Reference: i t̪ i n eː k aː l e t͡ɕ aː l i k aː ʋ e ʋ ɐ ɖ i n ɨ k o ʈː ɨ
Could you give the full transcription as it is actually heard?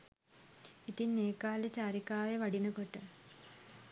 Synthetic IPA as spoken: i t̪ i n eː k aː l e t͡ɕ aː ɾ i k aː ʋ e ʋ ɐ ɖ i n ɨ k o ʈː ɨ